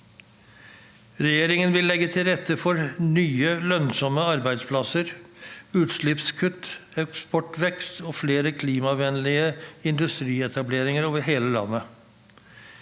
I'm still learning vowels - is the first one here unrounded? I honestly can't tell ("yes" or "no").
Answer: yes